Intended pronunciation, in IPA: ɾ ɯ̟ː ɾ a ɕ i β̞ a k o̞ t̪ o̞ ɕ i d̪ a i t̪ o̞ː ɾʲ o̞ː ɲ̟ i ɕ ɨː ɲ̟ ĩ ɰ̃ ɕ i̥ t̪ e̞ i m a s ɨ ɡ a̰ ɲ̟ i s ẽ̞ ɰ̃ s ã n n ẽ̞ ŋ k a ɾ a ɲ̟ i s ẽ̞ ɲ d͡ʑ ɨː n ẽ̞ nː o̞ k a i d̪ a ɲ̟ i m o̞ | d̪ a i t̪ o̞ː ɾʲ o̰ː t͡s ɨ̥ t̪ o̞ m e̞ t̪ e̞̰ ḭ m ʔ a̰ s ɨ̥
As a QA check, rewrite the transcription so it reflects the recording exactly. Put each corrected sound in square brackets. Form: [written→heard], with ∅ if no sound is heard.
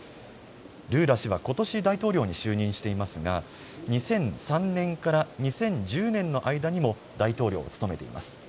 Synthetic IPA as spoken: ɾ ɯ̟ː ɾ a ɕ i β̞ a k o̞ t̪ o̞ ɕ i d̪ a i t̪ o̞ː ɾʲ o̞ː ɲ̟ i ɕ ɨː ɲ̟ ĩ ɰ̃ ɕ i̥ t̪ e̞ i m a s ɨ ɡ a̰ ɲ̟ i s ẽ̞ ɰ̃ s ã n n ẽ̞ ŋ k a ɾ a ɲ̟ i s ẽ̞ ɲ d͡ʑ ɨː n ẽ̞ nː o̞ [k→ʔ] a i d̪ a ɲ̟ i m o̞ | d̪ a i t̪ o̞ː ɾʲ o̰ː t͡s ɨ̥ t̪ o̞ m e̞ t̪ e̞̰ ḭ m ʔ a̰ s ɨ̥